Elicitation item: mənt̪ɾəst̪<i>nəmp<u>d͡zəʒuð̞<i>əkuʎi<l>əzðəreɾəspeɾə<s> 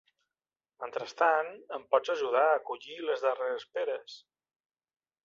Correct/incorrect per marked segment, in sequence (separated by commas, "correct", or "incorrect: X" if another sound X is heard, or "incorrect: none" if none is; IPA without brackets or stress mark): incorrect: a, incorrect: ɔ, incorrect: a, correct, correct